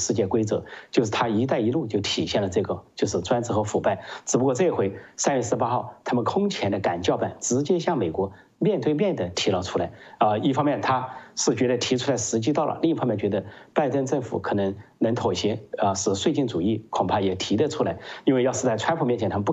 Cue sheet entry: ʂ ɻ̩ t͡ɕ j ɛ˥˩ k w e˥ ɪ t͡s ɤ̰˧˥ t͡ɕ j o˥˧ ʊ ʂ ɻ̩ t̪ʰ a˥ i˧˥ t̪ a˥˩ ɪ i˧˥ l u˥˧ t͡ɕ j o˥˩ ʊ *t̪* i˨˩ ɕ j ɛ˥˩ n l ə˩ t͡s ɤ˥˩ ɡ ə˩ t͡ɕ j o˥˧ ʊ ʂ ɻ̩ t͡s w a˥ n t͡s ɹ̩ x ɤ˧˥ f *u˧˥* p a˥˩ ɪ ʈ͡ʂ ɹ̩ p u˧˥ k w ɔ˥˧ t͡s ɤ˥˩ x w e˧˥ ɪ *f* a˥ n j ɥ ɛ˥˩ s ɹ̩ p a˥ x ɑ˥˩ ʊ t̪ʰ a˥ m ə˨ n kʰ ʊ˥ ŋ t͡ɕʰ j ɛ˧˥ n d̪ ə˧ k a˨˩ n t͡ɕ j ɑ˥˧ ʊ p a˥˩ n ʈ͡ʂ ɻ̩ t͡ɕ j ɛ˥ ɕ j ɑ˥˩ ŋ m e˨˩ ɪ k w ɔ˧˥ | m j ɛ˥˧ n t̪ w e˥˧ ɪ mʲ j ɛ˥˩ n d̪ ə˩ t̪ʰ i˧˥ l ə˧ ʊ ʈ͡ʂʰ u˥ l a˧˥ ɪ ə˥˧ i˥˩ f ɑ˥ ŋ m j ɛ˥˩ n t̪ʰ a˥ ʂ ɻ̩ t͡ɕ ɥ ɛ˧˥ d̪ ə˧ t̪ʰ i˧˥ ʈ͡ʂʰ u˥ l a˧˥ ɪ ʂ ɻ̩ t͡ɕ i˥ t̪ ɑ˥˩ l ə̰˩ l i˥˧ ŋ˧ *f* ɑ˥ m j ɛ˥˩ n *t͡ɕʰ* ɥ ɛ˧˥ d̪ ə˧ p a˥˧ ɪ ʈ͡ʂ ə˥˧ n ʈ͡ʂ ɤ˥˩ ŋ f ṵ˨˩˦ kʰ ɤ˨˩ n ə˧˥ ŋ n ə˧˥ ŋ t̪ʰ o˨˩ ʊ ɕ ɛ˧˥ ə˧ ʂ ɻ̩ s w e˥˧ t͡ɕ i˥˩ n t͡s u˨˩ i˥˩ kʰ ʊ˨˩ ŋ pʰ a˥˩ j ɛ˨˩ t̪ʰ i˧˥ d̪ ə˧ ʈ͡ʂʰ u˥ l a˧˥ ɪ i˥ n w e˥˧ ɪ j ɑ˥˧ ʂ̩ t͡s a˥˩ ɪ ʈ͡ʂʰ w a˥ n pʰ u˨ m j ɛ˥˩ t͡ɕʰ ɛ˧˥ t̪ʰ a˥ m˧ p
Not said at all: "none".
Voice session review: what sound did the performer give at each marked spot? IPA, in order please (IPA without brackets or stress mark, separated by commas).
t̪ʰ, u˨˩, s, f, t͡ɕ